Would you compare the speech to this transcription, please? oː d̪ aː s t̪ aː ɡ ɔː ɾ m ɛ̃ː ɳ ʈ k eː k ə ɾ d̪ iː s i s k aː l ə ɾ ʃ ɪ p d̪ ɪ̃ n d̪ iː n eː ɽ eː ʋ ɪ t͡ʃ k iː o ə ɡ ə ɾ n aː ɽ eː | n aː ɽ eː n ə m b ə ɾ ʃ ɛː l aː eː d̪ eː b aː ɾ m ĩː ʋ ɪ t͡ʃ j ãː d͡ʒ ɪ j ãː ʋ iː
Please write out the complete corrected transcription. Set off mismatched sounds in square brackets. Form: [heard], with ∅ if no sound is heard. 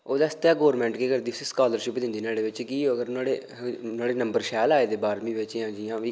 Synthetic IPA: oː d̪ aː s t̪ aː ɡ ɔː ɾ m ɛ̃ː ɳ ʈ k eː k ə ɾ d̪ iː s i s k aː l ə ɾ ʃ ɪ p d̪ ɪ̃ n d̪ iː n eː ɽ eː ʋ ɪ t͡ʃ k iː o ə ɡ ə ɾ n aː ɽ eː | n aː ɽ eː n ə m b ə ɾ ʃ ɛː l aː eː d̪ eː b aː ɾ m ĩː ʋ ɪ t͡ʃ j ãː d͡ʒ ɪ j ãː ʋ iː